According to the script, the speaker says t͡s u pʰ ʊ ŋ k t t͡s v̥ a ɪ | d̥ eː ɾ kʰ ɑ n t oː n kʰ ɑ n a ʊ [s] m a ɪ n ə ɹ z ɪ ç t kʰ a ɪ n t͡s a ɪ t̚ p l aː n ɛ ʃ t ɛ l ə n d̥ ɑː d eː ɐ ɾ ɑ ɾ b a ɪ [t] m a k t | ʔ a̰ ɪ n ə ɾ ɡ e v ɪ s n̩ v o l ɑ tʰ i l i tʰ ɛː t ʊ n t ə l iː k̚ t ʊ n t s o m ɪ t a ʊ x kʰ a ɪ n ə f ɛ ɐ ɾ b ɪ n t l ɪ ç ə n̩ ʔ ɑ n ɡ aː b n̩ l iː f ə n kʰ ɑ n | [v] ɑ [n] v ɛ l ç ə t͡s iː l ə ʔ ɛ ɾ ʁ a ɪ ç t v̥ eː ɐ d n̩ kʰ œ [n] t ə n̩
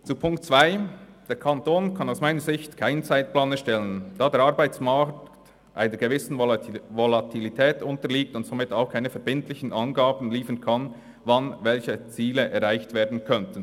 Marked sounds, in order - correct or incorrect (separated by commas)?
correct, incorrect, correct, correct, correct